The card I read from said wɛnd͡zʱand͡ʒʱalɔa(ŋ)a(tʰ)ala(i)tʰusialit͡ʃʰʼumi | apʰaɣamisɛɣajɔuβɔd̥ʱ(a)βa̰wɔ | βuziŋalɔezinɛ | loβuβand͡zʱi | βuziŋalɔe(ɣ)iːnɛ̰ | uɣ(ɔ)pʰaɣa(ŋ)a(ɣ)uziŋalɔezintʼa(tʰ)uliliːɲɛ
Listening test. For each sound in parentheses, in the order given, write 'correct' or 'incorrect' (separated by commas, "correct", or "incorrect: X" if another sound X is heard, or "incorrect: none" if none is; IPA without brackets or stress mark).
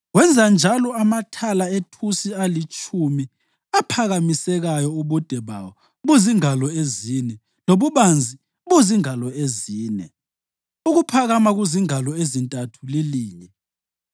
incorrect: m, correct, incorrect: e, incorrect: ɛ, incorrect: z, incorrect: u, incorrect: m, correct, correct